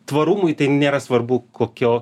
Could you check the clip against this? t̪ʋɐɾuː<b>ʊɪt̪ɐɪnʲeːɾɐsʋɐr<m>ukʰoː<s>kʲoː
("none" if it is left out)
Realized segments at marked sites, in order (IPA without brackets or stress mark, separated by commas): m, b, none